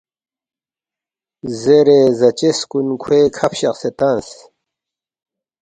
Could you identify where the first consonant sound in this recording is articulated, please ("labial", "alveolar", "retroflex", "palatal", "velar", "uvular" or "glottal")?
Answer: alveolar